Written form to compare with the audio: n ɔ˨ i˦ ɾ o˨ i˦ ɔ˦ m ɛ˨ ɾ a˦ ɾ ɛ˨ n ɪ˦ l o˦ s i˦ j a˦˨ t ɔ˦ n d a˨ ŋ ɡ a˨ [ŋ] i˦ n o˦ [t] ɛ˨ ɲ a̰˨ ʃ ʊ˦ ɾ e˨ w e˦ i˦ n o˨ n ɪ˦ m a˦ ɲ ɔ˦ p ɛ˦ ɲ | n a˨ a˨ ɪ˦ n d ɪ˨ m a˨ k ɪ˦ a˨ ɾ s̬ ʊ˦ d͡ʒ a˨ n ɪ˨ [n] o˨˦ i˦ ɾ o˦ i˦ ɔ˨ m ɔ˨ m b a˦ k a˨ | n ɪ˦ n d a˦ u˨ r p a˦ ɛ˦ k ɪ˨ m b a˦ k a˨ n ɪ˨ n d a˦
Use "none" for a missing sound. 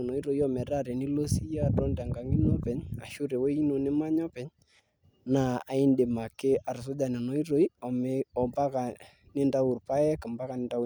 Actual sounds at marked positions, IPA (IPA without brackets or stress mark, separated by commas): ŋ, p, n